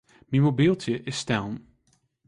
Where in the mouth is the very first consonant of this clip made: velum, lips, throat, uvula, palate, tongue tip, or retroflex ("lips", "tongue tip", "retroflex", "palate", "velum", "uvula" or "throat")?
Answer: lips